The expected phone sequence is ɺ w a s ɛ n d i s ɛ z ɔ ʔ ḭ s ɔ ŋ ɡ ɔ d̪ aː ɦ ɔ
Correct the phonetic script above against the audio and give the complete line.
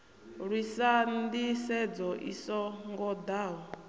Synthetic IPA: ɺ w i s a n d i s ɛ d͡z ɔ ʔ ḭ s ɔ ŋ ɡ ɔ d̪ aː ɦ ɔ